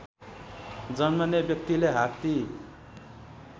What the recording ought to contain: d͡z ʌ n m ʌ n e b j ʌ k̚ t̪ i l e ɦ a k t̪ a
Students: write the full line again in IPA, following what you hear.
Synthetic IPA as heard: d͡z ʌ n m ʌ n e b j ʌ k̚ t̪ i l e ɦ a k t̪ i